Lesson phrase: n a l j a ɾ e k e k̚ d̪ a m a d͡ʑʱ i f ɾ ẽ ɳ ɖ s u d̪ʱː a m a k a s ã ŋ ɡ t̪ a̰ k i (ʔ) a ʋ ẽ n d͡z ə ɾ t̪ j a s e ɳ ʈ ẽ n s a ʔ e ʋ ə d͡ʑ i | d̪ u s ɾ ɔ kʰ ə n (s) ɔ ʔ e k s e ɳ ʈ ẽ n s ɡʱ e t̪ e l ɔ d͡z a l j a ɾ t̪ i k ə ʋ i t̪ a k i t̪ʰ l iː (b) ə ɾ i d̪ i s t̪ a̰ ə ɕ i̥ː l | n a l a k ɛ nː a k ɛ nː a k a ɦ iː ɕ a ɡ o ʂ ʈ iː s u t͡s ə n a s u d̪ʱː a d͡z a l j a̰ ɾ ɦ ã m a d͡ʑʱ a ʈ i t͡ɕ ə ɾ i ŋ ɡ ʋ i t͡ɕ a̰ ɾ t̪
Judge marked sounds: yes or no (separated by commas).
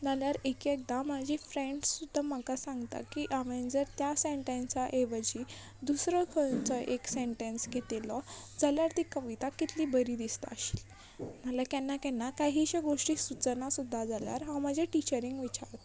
yes, no, yes